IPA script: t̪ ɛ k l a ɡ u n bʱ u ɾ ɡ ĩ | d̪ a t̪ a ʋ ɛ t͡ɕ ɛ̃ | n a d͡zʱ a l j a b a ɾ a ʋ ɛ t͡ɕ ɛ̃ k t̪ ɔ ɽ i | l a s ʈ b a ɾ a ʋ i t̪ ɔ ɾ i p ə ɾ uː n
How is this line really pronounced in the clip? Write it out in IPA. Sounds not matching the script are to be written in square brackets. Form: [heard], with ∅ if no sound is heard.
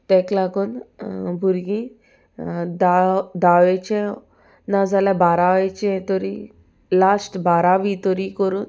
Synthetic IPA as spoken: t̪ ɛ k l a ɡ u n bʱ u ɾ ɡ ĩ | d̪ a [d̪] a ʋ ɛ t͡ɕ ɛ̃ | n a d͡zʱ a l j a b a ɾ a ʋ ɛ t͡ɕ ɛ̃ [∅] t̪ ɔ [ɾ] i | l a s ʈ b a ɾ a ʋ i t̪ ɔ ɾ i [k] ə ɾ uː n